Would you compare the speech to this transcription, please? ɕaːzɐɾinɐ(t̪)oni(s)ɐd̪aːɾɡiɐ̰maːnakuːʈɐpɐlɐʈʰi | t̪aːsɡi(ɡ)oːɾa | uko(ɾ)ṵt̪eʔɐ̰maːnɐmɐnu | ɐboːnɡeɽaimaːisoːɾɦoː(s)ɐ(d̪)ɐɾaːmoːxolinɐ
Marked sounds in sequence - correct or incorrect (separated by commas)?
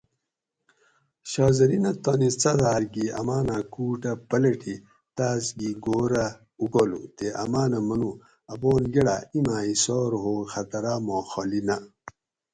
correct, incorrect, correct, incorrect, incorrect, incorrect